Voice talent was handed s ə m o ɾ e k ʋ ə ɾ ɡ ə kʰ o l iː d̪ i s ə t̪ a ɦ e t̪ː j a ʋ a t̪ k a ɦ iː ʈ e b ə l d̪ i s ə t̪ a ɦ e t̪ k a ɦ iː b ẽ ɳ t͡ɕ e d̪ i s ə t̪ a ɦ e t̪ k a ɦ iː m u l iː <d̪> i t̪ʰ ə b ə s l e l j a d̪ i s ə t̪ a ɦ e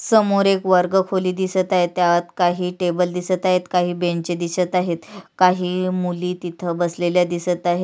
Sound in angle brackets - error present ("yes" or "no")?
yes